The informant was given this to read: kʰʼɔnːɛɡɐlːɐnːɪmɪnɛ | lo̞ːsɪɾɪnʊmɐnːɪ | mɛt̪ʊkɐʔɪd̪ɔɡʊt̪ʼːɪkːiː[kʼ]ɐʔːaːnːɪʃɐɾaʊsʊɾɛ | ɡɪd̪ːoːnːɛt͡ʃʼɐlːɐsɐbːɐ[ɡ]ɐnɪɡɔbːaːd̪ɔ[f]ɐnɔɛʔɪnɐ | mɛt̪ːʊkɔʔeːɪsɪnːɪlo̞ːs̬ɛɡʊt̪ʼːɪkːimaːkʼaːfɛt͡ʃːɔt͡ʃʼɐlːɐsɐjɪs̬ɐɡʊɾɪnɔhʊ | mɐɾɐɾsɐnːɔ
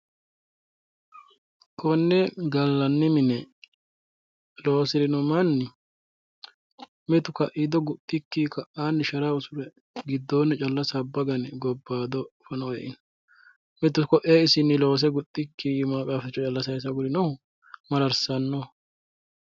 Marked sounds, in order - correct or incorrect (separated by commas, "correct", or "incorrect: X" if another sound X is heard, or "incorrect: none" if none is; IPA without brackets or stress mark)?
incorrect: k, correct, correct